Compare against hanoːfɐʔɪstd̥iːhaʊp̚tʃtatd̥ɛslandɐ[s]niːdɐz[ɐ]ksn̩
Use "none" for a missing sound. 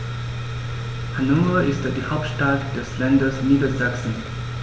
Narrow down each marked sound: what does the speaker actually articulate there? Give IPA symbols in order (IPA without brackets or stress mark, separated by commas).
s, a